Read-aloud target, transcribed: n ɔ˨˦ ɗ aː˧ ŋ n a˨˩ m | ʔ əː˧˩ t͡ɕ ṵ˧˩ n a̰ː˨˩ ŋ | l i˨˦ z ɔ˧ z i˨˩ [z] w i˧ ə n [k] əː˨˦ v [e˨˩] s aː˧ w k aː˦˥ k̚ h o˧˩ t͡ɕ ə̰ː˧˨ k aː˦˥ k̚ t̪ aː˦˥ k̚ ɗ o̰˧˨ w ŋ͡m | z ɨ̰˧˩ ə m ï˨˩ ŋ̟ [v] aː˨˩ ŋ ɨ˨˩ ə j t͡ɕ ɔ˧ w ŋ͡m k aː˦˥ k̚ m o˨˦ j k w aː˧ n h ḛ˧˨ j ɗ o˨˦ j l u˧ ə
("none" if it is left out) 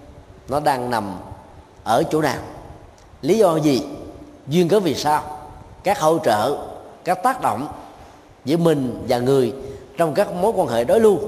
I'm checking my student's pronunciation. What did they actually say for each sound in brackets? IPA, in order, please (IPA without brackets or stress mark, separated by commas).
z, k, i˨˩, v